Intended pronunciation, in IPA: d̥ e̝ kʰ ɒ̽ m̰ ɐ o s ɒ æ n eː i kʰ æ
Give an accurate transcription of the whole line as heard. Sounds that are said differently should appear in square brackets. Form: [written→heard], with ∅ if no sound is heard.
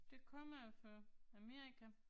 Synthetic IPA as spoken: d̥ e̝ kʰ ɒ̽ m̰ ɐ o [s→f] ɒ æ [n→m] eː i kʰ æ